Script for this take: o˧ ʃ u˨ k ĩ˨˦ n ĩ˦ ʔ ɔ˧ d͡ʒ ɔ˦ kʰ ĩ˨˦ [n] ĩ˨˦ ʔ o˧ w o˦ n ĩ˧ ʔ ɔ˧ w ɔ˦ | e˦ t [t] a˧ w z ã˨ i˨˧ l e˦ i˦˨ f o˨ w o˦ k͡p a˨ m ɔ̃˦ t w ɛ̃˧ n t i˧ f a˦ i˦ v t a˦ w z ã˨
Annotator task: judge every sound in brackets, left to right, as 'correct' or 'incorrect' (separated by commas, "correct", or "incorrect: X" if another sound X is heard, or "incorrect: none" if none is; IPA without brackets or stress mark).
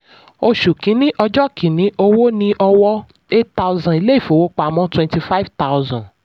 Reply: correct, correct